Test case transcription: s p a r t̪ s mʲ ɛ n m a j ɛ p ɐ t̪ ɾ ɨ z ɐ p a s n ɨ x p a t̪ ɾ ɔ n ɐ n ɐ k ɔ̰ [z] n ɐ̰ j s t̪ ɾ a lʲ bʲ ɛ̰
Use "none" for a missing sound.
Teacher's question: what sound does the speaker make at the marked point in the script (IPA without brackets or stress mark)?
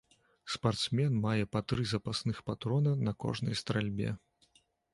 ʐ